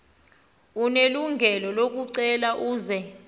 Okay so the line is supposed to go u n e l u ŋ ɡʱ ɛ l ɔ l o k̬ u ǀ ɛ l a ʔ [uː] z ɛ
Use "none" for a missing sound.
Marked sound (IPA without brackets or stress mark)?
uː